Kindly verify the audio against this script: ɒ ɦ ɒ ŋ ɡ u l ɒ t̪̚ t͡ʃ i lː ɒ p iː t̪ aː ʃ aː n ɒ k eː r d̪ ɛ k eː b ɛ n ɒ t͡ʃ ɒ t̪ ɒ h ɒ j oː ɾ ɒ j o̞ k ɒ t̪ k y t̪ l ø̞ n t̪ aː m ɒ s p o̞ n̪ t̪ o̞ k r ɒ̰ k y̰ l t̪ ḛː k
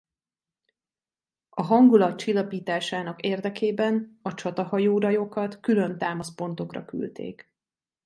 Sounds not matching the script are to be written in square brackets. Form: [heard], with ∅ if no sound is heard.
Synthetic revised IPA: ɒ ɦ ɒ ŋ ɡ u l ɒ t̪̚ t͡ʃ i lː ɒ p iː t̪ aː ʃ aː n ɒ k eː r d̪ ɛ k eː b ɛ n ɒ t͡ʃ ɒ t̪ ɒ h ɒ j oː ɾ ɒ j o̞ k ɒ t̪ k y [∅] l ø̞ n t̪ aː m ɒ s p o̞ n̪ t̪ o̞ k r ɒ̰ k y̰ l t̪ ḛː k